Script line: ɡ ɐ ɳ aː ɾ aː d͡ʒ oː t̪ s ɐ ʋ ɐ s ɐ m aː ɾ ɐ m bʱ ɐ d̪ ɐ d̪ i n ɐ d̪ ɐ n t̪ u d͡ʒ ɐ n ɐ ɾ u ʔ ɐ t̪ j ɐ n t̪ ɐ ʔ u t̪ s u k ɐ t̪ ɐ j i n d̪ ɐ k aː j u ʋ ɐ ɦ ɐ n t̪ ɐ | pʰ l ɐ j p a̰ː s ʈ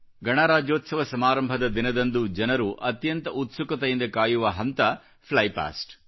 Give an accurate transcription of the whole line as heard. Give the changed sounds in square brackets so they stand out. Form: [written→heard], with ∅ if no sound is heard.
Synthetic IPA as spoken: ɡ ɐ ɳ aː ɾ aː d͡ʒ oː t̪ s ɐ ʋ ɐ s ɐ m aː ɾ ɐ m bʱ ɐ d̪ ɐ d̪ i n ɐ d̪ ɐ n [t̪→d̪] u d͡ʒ ɐ n ɐ ɾ u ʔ ɐ t̪ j ɐ n t̪ ɐ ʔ u t̪ s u k ɐ t̪ ɐ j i n d̪ ɐ k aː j u ʋ ɐ ɦ ɐ n t̪ ɐ | pʰ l ɐ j p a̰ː s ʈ